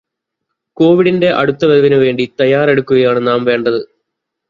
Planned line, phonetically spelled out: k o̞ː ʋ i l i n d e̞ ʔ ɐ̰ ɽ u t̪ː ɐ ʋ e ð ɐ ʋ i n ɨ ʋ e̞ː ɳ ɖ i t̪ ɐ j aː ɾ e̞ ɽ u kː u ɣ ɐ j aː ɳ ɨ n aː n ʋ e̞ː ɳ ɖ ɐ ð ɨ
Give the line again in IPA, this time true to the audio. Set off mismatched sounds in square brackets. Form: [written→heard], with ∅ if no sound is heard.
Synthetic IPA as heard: k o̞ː ʋ i [l→ɽ] i n d e̞ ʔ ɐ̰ ɽ u t̪ː ɐ ʋ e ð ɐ ʋ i n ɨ ʋ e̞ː ɳ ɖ i t̪ ɐ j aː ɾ e̞ ɽ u kː u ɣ ɐ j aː ɳ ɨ n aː [n→m] ʋ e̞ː ɳ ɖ ɐ ð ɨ